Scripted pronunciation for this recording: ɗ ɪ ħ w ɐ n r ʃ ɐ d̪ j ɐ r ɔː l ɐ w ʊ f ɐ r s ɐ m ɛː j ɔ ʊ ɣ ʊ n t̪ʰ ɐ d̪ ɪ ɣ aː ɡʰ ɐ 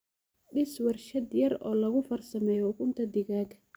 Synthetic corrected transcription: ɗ ɪ s w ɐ r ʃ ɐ d̪ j ɐ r ɔː l ɐ ɣ ʊ f ɐ r s ɐ m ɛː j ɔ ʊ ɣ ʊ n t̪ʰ ɐ d̪ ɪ ɣ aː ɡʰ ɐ